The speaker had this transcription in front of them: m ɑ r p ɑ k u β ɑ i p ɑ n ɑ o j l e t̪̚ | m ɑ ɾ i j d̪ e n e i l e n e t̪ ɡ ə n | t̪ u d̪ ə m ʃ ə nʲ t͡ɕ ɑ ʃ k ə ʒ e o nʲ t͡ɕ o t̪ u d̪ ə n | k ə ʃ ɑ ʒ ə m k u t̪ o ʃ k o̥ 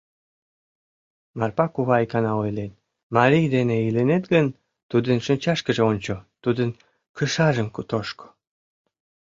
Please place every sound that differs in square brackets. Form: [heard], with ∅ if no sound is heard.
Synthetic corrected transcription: m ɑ r p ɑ k u β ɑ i [k] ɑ n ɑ o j l e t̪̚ | m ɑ ɾ i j d̪ e n e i l e n e t̪ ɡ ə n | t̪ u d̪ ə [n] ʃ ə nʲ t͡ɕ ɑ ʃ k ə ʒ e o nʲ t͡ɕ o t̪ u d̪ ə n | k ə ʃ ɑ ʒ ə m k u t̪ o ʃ k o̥